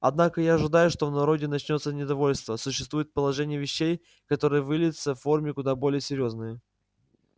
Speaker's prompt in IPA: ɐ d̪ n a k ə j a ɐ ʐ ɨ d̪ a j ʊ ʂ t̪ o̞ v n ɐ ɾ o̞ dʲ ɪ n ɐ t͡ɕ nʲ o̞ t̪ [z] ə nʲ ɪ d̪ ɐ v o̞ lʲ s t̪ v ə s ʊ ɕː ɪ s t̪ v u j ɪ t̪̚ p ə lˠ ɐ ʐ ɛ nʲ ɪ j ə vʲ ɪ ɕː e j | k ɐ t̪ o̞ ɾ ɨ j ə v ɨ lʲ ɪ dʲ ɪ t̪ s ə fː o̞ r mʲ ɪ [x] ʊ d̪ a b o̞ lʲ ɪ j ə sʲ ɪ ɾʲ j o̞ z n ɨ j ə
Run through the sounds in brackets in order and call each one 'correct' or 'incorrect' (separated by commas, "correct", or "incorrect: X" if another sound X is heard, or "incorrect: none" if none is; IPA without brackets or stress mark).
incorrect: s, incorrect: k